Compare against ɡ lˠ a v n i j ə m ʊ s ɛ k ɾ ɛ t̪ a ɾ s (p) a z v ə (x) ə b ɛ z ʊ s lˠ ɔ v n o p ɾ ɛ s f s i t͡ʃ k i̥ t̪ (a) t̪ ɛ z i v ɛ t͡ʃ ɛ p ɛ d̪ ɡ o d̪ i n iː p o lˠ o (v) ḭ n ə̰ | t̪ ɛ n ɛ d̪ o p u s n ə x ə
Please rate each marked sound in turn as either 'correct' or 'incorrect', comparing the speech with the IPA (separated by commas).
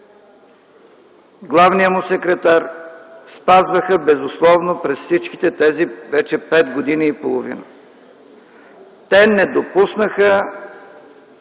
correct, correct, incorrect, correct